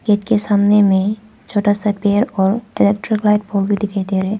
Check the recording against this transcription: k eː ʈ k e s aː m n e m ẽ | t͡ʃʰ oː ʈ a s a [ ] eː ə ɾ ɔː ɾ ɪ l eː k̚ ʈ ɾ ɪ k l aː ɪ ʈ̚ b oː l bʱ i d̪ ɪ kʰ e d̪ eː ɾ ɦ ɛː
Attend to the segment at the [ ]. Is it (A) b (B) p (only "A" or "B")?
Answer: B